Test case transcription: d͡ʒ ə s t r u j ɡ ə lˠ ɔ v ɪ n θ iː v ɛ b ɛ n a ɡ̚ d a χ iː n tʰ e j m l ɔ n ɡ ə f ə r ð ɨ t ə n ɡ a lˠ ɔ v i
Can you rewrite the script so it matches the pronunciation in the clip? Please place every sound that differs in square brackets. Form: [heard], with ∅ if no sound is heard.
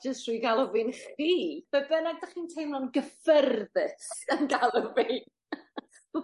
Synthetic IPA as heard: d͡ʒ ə s t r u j ɡ [a] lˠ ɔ v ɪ n [χ] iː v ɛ b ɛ n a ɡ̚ d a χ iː n tʰ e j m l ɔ n ɡ ə f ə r ð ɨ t ə n ɡ a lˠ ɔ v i